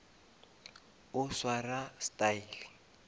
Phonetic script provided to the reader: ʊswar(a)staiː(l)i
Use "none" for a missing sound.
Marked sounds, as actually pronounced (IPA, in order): a, l

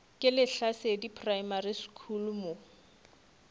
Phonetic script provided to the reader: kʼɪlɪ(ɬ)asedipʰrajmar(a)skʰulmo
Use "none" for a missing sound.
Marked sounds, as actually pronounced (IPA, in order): ɬ, i

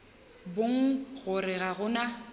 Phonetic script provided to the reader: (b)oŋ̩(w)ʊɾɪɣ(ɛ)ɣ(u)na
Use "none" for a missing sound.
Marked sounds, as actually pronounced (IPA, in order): b, ɣ, a, ʊ

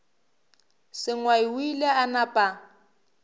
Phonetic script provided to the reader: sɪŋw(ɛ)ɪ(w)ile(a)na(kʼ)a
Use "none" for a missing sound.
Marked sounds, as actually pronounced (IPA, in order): a, w, a, pʼ

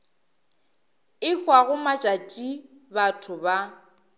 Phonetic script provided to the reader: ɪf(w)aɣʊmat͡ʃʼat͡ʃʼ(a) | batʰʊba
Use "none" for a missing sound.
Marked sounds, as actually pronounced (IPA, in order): w, i

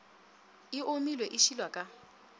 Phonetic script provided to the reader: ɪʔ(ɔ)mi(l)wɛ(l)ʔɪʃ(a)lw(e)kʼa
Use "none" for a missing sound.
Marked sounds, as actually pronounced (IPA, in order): o, l, none, i, a

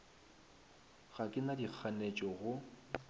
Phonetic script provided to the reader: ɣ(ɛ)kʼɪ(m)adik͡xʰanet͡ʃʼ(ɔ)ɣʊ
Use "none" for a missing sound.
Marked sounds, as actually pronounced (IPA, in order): a, n, ɔ

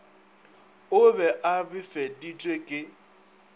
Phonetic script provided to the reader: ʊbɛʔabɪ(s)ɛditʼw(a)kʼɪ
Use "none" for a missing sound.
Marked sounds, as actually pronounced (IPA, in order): f, e

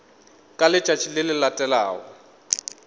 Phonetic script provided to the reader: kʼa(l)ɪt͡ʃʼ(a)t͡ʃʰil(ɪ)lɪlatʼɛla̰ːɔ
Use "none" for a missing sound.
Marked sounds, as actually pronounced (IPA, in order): l, a, ɪ

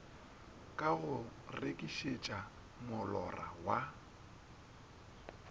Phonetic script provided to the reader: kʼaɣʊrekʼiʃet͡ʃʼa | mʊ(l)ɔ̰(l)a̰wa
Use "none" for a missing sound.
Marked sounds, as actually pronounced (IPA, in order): l, r

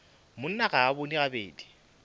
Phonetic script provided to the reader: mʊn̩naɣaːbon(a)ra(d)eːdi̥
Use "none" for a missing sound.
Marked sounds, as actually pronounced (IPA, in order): i, b

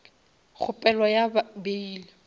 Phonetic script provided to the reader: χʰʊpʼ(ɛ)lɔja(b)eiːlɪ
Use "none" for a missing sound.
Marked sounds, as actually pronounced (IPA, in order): ɛ, b

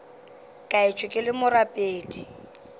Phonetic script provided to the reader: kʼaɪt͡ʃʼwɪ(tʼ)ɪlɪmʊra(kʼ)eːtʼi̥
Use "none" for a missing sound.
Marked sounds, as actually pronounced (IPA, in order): kʼ, pʼ

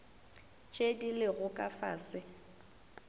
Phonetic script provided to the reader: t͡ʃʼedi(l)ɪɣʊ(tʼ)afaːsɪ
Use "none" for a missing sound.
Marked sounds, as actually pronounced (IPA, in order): l, kʼ

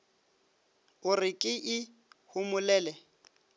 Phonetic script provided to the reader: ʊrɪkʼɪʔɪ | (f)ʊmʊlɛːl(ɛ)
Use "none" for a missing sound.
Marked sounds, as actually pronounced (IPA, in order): h, ɛ

